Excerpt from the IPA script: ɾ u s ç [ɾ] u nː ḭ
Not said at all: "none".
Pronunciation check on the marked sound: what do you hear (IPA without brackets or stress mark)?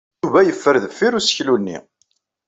l